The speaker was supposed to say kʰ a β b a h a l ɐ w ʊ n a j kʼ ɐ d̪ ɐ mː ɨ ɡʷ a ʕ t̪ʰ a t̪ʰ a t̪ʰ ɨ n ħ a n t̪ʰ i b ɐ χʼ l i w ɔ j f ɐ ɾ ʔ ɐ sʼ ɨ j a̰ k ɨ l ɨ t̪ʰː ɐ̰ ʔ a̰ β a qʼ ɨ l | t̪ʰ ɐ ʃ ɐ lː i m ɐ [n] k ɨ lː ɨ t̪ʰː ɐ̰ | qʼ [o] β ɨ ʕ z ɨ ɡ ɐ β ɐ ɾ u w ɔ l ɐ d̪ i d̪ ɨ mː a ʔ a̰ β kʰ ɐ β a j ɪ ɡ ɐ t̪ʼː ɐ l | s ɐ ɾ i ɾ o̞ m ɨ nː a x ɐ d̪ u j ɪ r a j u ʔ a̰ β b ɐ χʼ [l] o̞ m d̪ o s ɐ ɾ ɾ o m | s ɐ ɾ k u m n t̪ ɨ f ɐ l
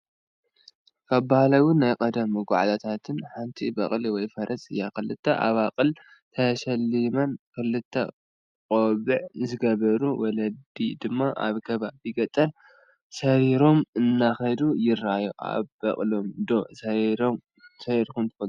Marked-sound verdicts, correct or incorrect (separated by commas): correct, correct, correct